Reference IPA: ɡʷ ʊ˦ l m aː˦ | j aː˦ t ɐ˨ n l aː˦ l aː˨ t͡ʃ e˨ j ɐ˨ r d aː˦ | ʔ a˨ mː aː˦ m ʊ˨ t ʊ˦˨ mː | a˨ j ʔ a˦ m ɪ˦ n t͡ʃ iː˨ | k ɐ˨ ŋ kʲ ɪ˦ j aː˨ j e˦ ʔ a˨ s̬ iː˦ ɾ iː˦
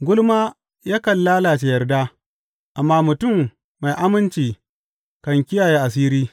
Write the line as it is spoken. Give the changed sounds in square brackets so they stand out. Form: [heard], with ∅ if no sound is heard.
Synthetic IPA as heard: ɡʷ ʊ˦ l m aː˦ | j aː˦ [k] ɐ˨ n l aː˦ l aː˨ t͡ʃ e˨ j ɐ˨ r d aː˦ | ʔ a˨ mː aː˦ m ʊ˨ t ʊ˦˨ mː | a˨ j ʔ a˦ m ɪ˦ n t͡ʃ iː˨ | k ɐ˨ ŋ kʲ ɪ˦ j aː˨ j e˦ ʔ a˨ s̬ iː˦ ɾ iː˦